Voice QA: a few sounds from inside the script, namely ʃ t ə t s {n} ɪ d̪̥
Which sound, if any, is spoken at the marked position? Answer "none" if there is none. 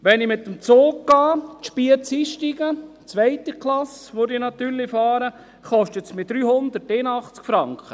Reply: m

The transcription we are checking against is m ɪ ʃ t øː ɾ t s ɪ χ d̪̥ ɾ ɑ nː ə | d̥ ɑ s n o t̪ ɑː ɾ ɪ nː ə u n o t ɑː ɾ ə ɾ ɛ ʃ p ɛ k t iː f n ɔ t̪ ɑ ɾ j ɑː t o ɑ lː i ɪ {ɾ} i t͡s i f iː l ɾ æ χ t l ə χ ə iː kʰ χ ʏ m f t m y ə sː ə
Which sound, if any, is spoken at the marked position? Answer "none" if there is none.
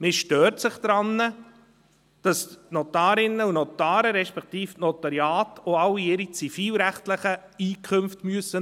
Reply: ɾ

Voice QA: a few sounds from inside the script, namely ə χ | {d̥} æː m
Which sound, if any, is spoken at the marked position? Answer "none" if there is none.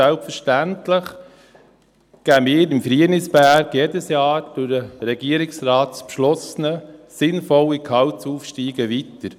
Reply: ɡ̥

